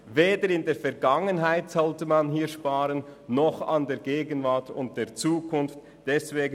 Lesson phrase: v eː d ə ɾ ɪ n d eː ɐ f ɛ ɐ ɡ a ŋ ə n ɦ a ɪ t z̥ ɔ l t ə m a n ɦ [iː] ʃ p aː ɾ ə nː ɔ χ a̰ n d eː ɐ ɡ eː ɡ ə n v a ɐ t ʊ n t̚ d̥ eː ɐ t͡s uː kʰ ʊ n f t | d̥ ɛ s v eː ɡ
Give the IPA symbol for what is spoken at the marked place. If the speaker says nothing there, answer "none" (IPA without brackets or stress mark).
iː